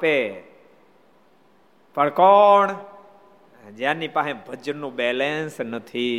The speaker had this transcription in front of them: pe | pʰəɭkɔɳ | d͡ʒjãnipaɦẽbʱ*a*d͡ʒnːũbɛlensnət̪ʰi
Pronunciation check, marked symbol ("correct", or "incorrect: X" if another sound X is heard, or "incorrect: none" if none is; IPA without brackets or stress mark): incorrect: ə